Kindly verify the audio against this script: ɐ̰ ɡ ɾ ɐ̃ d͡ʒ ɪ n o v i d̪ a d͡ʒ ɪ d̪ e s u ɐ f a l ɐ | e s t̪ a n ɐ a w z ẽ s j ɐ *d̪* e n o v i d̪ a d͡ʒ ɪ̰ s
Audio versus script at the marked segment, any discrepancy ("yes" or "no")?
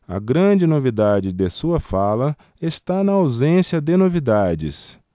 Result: no